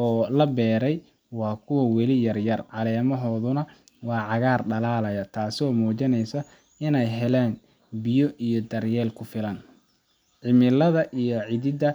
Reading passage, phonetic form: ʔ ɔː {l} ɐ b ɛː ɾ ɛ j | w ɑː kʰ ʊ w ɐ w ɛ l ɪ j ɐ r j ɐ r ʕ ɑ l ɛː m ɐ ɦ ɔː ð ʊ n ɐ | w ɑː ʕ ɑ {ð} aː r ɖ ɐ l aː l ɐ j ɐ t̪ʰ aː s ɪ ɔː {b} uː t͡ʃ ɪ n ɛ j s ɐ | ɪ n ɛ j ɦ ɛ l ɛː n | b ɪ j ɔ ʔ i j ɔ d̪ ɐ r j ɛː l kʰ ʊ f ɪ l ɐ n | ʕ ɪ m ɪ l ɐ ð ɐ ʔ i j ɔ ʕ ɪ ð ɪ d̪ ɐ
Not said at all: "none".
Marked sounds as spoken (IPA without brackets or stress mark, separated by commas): l, ɣ, m